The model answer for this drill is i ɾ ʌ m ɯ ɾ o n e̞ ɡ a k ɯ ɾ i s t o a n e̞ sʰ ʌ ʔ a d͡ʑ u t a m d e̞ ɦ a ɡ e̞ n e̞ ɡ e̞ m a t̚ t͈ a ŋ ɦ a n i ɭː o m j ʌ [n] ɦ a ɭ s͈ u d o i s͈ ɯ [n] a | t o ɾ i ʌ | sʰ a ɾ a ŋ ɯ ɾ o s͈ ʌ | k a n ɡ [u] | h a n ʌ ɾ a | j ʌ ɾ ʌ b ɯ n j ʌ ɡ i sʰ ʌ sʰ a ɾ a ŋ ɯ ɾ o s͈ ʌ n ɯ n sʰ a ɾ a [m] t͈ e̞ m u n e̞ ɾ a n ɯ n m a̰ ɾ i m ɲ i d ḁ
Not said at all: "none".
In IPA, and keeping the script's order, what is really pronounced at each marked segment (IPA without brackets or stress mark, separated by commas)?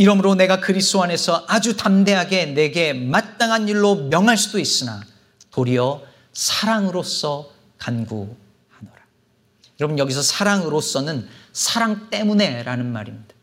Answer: ŋ, n, u, ŋ